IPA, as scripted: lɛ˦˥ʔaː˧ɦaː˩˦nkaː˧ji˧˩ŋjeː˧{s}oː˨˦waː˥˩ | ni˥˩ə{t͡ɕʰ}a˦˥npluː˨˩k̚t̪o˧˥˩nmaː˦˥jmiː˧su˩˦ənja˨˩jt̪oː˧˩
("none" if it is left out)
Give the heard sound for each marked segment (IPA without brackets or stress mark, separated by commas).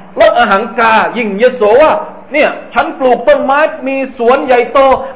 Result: s, t͡ɕʰ